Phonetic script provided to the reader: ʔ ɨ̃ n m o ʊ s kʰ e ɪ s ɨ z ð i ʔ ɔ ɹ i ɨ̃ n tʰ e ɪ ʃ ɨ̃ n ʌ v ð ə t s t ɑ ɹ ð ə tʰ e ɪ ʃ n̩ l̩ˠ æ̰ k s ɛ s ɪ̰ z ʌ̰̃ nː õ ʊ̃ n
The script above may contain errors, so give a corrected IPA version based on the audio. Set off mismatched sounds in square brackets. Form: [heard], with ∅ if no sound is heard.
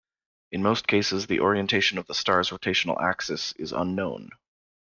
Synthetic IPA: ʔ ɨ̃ n m o ʊ s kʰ e ɪ s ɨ z ð i ʔ ɔ ɹ i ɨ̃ n tʰ e ɪ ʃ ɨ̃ n ʌ v ð ə [∅] s t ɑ ɹ [z] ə tʰ e ɪ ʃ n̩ l̩ˠ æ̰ k s ɛ s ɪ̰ z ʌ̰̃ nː õ ʊ̃ n